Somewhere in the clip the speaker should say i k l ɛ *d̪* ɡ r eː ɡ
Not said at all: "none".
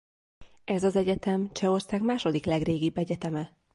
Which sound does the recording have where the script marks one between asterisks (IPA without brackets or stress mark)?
none